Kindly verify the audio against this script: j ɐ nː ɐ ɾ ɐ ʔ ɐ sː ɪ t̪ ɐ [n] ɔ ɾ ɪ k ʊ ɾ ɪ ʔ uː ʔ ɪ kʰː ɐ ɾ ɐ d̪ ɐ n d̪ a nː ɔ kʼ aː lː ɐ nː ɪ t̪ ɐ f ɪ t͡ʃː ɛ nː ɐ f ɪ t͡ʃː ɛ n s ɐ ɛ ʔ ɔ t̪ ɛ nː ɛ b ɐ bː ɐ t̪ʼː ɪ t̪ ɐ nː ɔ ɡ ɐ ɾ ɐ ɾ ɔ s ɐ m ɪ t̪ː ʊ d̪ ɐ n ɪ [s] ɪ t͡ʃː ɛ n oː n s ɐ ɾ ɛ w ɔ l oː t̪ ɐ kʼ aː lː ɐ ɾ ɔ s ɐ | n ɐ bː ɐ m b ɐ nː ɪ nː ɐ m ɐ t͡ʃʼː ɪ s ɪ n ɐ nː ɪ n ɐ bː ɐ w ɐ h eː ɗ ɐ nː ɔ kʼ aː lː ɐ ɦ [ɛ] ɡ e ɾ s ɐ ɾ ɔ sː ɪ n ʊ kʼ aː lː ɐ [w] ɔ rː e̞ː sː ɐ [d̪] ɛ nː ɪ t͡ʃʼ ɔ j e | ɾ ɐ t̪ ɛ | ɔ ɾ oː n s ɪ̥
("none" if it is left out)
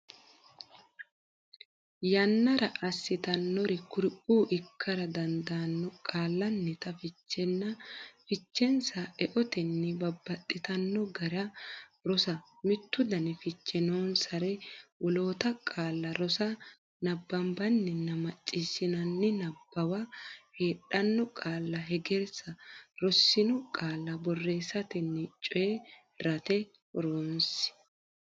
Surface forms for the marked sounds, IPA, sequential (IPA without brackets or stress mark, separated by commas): nː, f, ɛ, b, t̪